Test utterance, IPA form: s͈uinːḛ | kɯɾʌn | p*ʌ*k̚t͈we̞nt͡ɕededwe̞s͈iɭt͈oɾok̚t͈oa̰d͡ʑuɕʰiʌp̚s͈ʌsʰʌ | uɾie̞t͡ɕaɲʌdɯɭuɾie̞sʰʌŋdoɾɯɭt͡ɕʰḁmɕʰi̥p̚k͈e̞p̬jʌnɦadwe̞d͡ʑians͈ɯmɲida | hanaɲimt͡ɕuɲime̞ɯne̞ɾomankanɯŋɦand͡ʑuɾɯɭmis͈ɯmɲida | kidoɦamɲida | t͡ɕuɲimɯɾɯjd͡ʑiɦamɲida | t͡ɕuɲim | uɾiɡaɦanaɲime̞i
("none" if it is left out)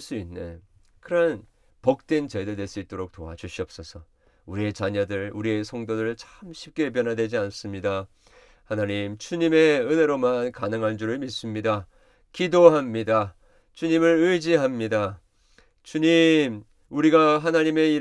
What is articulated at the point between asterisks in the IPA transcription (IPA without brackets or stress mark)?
ʌ